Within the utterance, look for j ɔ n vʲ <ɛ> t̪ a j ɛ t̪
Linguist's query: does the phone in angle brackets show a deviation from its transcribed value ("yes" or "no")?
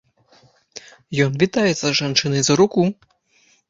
yes